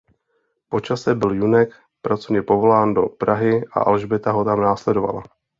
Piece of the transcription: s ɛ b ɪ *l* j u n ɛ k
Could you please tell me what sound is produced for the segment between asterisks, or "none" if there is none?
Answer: l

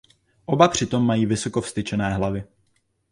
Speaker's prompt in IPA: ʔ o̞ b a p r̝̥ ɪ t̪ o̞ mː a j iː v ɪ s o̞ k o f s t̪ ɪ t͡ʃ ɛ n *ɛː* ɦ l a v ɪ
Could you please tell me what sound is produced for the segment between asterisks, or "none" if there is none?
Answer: ɛː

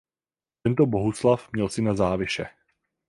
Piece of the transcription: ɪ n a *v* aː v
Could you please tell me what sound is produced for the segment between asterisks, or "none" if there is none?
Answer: z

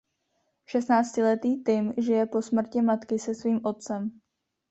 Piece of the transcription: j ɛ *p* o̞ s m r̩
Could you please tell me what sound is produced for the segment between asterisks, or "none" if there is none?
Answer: p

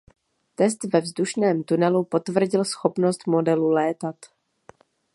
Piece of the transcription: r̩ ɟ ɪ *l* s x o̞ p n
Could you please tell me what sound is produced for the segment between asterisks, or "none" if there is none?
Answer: l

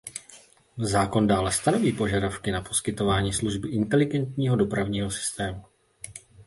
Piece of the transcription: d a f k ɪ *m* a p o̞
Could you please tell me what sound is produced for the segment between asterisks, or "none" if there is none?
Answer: n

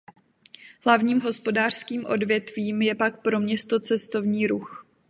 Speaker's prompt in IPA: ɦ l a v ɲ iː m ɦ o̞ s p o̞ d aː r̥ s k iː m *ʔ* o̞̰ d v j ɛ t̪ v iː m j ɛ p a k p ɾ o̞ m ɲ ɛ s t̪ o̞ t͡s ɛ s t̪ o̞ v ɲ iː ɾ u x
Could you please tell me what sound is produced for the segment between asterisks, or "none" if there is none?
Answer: ʔ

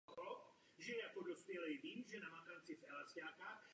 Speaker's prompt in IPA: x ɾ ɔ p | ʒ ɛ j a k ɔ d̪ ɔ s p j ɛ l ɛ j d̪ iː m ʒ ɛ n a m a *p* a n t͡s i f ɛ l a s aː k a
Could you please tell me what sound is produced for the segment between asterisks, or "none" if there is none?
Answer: k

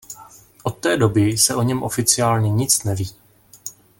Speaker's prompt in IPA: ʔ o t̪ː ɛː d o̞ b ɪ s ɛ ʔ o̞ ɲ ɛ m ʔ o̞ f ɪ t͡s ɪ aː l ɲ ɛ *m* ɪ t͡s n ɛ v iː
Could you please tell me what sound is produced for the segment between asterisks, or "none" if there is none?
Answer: ɲ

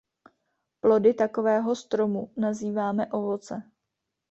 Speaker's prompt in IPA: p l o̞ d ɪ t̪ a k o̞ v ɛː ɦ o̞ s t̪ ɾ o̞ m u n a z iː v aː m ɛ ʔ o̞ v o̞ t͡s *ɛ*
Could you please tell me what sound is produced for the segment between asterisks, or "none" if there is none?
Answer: ɛ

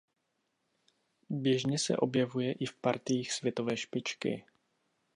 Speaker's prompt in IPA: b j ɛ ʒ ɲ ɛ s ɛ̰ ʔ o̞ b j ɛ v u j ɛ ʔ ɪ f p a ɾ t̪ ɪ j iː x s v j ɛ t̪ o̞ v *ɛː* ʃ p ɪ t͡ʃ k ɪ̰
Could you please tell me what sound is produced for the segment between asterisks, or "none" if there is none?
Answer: ɛː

